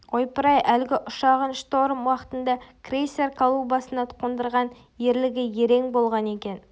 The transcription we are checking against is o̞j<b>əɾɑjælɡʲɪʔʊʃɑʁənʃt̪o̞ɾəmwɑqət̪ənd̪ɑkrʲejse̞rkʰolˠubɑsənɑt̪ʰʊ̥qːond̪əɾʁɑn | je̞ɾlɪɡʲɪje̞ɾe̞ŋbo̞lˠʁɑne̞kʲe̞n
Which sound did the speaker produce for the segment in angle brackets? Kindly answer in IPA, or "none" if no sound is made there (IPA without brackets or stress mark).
p